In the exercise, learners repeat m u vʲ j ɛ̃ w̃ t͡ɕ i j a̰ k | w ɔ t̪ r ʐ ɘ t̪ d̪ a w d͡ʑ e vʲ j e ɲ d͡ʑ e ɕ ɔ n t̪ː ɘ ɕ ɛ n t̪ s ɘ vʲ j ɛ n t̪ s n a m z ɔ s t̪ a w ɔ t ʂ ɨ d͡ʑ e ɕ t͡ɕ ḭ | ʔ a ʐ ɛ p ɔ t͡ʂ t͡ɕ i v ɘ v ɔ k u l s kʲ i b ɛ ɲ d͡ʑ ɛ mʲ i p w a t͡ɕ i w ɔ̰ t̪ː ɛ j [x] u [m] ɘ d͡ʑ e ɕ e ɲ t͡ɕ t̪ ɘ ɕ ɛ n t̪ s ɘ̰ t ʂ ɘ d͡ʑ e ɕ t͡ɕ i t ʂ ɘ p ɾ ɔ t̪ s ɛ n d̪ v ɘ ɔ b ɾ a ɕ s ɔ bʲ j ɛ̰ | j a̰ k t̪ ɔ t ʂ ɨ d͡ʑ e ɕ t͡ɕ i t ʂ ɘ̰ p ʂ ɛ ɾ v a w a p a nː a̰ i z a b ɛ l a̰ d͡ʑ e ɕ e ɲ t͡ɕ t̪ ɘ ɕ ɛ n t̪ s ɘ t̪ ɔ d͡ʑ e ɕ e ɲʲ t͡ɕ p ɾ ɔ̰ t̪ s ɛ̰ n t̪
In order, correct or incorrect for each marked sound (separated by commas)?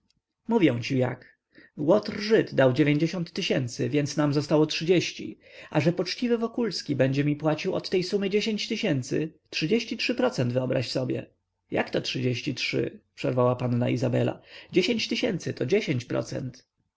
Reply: incorrect, correct